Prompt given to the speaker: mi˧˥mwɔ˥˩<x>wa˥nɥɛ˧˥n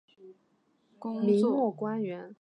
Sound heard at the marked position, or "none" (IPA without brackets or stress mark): k